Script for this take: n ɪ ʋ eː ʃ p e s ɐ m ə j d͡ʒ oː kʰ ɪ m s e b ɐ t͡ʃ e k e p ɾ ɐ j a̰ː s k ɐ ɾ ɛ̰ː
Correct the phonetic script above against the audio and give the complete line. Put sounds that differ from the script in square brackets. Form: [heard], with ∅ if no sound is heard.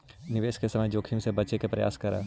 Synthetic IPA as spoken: n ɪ ʋ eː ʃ [k] e s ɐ m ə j d͡ʒ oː kʰ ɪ m s e b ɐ t͡ʃ e k e p ɾ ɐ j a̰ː s k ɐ ɾ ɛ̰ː